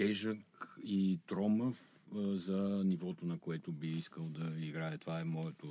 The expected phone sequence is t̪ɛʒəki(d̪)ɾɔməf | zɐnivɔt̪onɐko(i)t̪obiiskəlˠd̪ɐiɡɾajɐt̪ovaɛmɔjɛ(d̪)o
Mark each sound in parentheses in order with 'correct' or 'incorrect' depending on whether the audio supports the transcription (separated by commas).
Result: incorrect, incorrect, incorrect